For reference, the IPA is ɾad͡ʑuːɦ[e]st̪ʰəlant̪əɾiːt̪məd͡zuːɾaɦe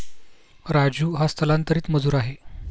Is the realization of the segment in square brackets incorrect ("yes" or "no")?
yes